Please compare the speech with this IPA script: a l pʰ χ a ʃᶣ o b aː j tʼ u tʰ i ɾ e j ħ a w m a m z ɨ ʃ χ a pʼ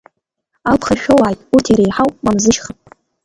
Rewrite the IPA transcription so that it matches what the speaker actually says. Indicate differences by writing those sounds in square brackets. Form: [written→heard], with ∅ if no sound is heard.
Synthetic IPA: a l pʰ χ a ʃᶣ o [b→w] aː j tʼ u tʰ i ɾ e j ħ a w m a m z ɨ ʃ χ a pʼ